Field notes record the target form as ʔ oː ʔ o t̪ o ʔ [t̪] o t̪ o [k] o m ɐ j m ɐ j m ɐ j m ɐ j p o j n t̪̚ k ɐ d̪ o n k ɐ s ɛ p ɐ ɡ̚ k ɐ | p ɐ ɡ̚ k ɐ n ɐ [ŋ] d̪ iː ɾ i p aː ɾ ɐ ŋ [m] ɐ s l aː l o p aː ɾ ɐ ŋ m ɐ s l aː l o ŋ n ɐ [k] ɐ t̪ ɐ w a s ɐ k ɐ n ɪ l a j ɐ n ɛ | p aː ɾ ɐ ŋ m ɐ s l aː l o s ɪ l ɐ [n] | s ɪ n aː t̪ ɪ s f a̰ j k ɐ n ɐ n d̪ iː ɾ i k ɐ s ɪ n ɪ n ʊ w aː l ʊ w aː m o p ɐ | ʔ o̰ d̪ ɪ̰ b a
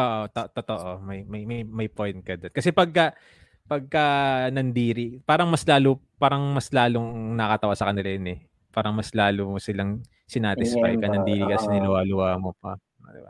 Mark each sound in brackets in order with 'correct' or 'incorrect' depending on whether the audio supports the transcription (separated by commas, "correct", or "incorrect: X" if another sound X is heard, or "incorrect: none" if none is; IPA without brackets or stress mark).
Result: correct, incorrect: ʔ, incorrect: n, correct, correct, incorrect: ŋ